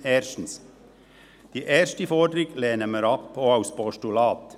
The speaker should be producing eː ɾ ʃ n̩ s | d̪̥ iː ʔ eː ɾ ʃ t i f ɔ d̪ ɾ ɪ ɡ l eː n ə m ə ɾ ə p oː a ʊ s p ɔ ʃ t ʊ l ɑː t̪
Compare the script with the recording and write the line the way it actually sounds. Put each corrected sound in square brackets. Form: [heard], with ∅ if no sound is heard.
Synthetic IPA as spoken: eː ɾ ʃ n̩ s | d̪̥ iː ʔ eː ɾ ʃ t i f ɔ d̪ ɾ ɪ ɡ l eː n ə m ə ɾ [ɑ] p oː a ʊ s p ɔ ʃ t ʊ l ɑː t̪